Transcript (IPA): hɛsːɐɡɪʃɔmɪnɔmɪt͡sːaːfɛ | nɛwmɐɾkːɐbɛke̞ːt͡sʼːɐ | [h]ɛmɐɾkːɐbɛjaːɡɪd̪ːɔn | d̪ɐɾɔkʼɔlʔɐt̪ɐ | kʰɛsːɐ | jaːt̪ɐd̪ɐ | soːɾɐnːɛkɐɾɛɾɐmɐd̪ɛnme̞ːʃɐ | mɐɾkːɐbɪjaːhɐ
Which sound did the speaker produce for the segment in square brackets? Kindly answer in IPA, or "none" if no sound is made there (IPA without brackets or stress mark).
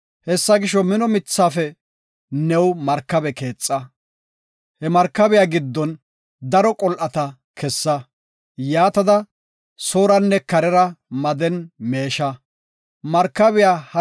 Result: h